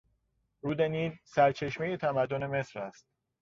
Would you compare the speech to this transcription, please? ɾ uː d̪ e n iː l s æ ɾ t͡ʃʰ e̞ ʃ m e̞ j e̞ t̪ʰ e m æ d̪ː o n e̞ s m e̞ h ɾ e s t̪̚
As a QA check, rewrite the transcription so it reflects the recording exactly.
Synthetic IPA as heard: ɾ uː d̪ e n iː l s æ ɾ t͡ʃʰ e̞ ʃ m e̞ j e̞ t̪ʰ æ m æ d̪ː o n e̞ m e̞ s ɾ æ s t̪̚

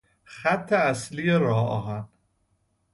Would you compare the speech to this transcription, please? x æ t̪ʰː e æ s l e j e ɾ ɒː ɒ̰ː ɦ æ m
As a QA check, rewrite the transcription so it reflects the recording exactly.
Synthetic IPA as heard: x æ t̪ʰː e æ s l i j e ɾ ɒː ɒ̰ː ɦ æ n

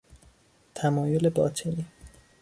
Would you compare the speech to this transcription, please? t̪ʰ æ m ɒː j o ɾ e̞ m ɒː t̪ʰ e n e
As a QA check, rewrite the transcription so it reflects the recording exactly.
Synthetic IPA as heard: t̪ʰ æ m ɒː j o l e̞ b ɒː t̪ʰ e n i

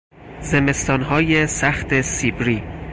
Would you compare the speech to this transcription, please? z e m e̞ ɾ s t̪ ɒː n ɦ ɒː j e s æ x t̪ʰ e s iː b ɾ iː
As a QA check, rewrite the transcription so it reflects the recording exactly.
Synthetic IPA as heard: z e m e̞ s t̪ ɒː n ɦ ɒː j e s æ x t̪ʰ e s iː b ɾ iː

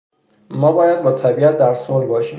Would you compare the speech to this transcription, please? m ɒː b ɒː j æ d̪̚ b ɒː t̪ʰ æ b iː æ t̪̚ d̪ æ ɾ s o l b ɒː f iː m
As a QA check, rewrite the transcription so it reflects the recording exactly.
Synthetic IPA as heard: m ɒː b ɒː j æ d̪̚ b ɒː t̪ʰ æ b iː æ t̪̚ d̪ æ ɾ s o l b ɒː ʃ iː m

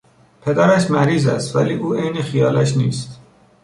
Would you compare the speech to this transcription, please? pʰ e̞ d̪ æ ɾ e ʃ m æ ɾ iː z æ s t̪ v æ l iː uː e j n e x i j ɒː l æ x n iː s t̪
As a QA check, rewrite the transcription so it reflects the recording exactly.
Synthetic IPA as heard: pʰ e̞ d̪ æ ɾ æ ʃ m æ ɾ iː z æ s t̪ v æ l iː uː e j n e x i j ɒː l æ ʃ n iː s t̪

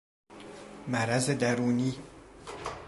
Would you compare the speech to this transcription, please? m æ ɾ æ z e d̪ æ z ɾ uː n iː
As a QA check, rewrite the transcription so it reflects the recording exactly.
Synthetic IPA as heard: m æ ɾ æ z e d̪ æ ɾ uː n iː

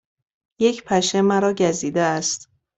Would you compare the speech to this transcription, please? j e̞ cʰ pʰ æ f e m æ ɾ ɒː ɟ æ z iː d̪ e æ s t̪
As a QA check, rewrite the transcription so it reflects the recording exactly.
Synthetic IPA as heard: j e̞ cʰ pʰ æ ʃ e m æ ɾ ɒː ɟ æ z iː d̪ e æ s t̪

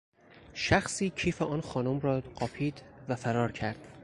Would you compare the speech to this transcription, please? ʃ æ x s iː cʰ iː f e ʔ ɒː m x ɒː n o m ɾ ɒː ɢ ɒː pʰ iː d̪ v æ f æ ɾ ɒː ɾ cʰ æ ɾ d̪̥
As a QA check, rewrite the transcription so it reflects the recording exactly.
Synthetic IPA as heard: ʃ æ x s iː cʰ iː f e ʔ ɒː n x ɒː n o m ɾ ɒː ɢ ɒː pʰ iː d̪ v æ f æ ɾ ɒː ɾ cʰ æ ɾ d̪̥

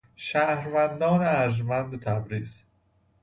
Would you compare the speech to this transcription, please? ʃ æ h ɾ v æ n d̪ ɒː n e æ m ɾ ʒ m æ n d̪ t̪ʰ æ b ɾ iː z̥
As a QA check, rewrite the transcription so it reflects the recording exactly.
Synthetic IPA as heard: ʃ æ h ɾ v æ n d̪ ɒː n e æ ɾ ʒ m æ n d̪ t̪ʰ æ b ɾ iː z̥

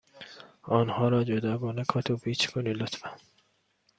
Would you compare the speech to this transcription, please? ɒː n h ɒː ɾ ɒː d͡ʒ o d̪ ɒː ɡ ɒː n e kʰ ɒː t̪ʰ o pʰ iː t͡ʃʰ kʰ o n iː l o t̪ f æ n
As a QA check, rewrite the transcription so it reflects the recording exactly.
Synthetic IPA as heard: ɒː n h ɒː ɾ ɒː d͡ʒ o d̪ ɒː ɡ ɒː n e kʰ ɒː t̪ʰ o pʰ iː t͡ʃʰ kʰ o n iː l o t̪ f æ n

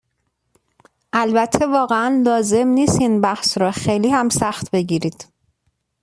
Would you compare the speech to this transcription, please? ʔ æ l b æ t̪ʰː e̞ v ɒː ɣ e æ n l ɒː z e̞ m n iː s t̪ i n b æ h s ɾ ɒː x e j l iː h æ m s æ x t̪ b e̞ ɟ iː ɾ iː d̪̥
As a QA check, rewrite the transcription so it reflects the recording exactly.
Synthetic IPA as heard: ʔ æ l b æ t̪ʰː e̞ v ɒː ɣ e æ n l ɒː z e̞ m n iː s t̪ i n b æ h s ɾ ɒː x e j l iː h æ m s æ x t̪ b e̞ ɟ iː ɾ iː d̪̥

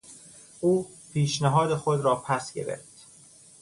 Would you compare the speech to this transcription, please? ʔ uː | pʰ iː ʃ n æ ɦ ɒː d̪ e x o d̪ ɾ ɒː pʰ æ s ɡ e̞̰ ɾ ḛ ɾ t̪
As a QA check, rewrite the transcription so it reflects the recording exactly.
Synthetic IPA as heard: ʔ uː | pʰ iː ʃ n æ ɦ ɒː d̪ e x o d̪ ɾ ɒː pʰ æ s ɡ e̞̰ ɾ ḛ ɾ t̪

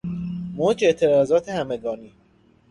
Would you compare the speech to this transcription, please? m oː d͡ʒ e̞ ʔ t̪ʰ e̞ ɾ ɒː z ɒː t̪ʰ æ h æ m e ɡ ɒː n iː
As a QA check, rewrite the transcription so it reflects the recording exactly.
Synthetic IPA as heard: m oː d͡ʒ e̞ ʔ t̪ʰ e̞ ɾ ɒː z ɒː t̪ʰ e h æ m e ɡ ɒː n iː

